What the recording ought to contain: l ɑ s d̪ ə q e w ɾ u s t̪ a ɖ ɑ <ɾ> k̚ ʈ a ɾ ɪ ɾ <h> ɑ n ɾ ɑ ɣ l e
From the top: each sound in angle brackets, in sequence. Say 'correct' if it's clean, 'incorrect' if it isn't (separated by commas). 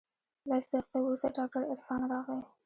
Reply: incorrect, incorrect